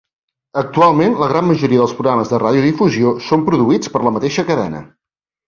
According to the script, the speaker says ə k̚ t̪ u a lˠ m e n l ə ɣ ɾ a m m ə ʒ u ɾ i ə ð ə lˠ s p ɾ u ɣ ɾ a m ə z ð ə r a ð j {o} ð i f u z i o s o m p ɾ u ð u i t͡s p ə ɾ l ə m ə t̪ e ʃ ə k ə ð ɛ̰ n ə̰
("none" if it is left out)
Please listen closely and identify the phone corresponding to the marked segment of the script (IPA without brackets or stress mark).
u